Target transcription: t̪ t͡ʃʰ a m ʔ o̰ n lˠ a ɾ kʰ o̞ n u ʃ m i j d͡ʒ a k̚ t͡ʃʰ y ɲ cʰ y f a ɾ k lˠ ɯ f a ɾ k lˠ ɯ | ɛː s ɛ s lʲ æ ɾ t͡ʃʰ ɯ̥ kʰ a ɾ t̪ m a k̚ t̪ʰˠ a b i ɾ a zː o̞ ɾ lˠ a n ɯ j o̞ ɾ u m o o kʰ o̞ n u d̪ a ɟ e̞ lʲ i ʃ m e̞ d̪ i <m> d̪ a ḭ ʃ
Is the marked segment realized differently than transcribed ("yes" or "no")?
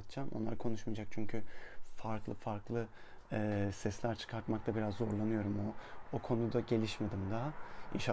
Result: no